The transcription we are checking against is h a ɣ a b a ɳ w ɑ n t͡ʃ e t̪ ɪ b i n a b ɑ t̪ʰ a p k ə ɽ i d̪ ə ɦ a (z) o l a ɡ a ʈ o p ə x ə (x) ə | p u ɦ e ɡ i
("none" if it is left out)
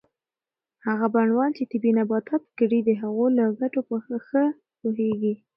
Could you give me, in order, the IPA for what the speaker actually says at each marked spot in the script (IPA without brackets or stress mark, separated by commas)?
ɣ, x